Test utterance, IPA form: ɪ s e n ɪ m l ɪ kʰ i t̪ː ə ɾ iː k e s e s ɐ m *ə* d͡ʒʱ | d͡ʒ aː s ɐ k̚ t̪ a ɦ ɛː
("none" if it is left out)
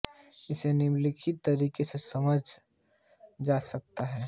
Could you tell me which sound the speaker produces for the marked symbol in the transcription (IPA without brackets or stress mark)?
ə